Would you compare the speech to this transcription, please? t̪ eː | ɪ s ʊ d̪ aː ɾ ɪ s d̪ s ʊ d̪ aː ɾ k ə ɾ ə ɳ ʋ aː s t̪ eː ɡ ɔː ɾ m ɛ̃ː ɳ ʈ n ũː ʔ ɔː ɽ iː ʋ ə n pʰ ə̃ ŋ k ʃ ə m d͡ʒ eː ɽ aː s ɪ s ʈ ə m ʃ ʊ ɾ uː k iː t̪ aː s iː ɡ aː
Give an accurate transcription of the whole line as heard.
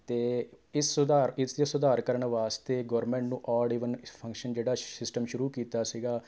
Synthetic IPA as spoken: t̪ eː | ɪ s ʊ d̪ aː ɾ ɪ s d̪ s ʊ d̪ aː ɾ k ə ɾ ə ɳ ʋ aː s t̪ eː ɡ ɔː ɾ m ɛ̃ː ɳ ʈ n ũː ʔ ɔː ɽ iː ʋ ə n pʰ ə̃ ŋ k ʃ ə n d͡ʒ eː ɽ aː s ɪ s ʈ ə m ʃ ʊ ɾ uː k iː t̪ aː s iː ɡ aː